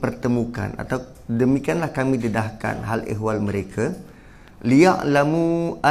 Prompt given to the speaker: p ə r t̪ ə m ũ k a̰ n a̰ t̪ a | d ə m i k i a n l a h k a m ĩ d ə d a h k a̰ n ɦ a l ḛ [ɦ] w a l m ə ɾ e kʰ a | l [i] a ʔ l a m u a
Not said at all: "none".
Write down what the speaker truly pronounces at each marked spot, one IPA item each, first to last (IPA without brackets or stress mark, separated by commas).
ɦ, i